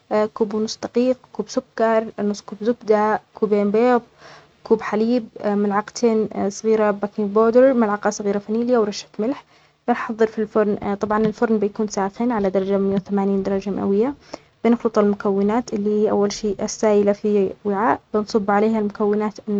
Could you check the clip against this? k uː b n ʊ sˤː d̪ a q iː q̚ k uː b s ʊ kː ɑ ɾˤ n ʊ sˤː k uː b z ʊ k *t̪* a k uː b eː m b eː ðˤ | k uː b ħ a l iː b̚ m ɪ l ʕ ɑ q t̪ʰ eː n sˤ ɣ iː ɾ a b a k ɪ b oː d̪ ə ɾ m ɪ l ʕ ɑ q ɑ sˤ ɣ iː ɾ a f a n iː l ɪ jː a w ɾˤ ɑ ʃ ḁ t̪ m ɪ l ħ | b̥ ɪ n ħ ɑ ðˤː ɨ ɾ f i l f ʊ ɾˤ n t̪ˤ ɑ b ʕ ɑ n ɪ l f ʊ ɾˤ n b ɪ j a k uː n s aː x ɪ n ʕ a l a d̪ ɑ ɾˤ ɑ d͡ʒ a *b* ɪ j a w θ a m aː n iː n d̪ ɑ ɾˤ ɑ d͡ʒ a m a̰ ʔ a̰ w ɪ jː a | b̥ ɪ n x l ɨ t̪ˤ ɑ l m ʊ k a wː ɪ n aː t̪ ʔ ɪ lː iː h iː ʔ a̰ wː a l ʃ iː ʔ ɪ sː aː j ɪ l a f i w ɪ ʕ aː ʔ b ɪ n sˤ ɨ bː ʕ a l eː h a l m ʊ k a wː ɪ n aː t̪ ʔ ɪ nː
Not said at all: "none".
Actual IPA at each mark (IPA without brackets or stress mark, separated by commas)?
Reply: d̪, m